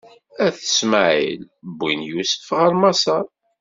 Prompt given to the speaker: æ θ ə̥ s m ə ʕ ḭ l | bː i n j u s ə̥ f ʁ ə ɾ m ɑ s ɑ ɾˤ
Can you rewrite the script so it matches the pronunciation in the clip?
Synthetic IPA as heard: æ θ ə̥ s m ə ʕ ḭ l | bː i n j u s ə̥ f ʁ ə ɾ m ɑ s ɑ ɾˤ